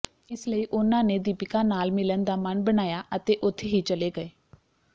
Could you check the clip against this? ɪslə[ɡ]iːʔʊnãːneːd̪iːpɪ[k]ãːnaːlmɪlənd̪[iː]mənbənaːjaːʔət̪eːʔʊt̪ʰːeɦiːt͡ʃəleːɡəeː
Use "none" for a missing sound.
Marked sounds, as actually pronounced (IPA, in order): none, k, aː

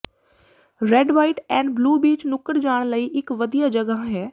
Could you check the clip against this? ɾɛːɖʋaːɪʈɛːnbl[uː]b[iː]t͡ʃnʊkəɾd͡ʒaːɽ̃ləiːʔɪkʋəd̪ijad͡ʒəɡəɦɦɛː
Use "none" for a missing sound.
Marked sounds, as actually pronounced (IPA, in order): uː, iː

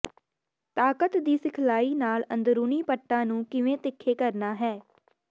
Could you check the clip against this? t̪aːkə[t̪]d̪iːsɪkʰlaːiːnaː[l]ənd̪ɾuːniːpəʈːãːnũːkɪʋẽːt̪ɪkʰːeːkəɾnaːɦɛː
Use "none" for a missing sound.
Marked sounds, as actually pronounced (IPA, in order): t̪, l

